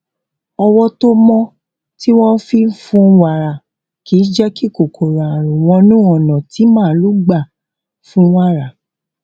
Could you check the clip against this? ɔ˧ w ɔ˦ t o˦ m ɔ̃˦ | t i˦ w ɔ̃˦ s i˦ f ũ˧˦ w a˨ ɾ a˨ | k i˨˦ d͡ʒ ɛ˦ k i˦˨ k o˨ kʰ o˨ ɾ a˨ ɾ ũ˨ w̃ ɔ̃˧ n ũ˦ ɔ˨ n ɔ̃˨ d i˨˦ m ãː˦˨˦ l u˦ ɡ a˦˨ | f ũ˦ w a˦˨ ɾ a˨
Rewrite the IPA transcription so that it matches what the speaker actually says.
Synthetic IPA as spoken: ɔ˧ w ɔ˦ t o˦ m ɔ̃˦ | t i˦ w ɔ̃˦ f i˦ f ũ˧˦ w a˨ ɾ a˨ | k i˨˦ d͡ʒ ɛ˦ k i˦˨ k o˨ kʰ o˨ ɾ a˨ ɾ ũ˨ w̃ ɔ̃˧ n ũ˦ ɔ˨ n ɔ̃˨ t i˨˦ m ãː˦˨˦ l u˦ ɡ͡b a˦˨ | f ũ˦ w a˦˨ ɾ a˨